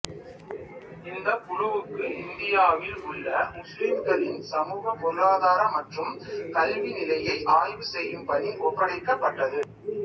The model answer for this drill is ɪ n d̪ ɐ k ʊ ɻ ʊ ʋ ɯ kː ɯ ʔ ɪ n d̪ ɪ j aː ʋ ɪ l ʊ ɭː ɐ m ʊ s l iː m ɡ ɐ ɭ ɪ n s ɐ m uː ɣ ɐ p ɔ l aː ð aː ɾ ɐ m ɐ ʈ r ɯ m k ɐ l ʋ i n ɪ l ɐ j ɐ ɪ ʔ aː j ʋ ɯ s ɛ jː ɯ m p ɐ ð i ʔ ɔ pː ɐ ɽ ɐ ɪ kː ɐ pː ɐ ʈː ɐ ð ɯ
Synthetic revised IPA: ɪ n d̪ ɐ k ʊ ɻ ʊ ʋ ɯ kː ɯ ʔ ɪ n d̪ ɪ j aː ʋ ɪ l ʊ ɭː ɐ m ʊ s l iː m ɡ ɐ ɭ ɪ n s ɐ m uː ɣ ɐ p ɔ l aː ð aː ɾ ɐ m ɐ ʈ r ɯ m k ɐ l ʋ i n ɪ l ɐ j ɐ ɪ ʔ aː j ʋ ɯ s ɛ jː ɯ m p ɐ ð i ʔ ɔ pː ɐ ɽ ɐ ɪ kː ɐ pː ɐ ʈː ɐ ð ɯ